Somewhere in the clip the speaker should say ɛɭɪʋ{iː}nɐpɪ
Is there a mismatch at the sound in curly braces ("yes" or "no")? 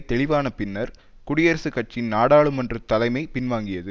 yes